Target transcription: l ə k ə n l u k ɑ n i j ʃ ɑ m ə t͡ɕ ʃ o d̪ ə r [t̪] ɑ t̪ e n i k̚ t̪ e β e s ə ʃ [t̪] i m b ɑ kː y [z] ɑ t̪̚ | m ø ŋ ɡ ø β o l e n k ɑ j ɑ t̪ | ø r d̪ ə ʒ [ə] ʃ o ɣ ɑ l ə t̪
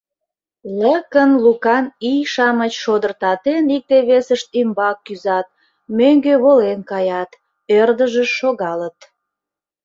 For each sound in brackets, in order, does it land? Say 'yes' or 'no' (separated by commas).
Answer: yes, yes, yes, yes